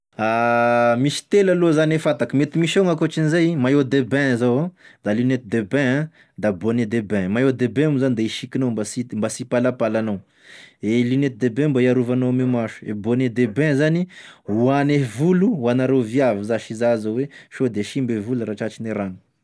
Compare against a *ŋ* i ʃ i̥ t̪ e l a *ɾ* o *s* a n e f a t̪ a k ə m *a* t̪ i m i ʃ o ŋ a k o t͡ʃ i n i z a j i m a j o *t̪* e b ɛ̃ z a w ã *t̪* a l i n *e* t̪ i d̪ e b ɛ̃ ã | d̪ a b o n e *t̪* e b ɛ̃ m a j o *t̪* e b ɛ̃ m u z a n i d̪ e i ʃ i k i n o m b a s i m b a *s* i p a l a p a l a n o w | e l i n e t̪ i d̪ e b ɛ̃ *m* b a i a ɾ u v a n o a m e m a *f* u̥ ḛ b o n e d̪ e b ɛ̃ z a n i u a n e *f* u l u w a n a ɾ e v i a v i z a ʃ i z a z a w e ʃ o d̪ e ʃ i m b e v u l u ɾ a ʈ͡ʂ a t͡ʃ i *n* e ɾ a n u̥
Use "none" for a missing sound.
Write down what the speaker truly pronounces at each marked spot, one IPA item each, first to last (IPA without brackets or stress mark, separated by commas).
m, l, z, e, d̪, d̪, e, d̪, d̪, s, m, ʃ, v, n